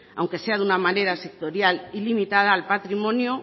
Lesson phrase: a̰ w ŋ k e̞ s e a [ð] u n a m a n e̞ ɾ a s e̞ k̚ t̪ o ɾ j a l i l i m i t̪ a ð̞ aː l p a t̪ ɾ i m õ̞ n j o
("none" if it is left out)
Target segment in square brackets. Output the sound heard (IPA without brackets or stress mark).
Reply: ð